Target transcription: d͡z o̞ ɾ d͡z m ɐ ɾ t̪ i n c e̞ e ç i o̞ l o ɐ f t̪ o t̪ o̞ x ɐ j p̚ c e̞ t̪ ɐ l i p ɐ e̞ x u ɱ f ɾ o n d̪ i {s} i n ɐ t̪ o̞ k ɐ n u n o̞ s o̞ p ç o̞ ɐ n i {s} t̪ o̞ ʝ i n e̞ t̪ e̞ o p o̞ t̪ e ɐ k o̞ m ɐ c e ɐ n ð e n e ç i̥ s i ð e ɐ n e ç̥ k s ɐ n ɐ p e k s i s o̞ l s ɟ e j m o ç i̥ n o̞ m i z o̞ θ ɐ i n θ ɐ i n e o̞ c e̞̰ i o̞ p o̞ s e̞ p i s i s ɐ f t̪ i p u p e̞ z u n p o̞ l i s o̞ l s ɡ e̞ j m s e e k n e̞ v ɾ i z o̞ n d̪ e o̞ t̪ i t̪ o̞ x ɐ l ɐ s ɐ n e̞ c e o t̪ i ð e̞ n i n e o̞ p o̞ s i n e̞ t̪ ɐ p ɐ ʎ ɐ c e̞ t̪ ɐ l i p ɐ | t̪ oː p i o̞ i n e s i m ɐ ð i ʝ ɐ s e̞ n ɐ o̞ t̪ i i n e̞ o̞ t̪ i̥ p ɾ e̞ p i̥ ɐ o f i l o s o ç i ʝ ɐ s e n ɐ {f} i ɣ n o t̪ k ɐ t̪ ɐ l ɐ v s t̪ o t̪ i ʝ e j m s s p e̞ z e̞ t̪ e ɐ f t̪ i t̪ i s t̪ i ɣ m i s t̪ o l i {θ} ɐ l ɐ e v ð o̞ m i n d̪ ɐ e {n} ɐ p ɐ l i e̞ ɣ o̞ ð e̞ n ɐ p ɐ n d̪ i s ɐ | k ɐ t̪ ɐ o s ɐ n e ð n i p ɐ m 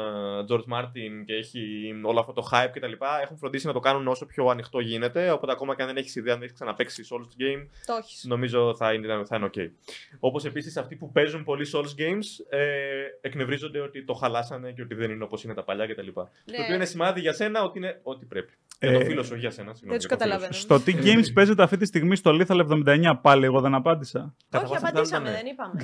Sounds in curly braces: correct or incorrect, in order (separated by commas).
correct, incorrect, incorrect, correct, incorrect